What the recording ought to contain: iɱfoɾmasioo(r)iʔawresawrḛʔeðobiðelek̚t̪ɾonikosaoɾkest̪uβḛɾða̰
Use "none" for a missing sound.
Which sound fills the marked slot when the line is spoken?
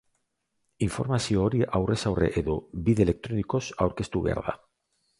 ɾ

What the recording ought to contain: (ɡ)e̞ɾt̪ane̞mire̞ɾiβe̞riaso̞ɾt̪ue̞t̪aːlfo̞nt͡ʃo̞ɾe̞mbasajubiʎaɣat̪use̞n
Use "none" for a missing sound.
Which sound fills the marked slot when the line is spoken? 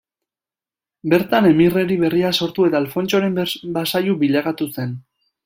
b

